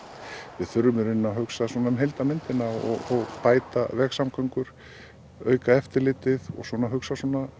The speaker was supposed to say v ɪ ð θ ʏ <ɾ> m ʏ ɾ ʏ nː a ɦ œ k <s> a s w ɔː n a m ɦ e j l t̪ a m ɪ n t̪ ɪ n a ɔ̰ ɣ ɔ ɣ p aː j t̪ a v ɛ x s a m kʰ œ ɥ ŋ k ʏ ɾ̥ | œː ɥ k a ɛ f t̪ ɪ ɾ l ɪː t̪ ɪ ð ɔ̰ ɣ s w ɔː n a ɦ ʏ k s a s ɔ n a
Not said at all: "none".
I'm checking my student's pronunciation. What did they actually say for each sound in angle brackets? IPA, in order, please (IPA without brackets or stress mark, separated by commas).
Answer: ɾ, s